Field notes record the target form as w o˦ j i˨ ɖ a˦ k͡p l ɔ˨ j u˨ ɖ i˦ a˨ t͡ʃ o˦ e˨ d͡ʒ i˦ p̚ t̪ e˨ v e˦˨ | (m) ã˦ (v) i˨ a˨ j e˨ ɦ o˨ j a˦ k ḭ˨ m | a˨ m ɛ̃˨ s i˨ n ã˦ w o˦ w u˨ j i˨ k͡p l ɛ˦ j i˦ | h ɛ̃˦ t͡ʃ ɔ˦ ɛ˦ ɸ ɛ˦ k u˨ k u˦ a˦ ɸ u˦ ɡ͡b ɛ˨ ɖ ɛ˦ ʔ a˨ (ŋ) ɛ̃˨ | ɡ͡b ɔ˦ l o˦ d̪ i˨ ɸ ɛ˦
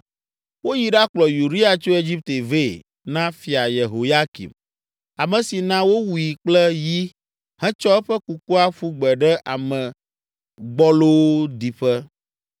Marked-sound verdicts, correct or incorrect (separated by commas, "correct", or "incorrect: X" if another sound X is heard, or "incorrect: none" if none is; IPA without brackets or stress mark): incorrect: n, incorrect: f, incorrect: m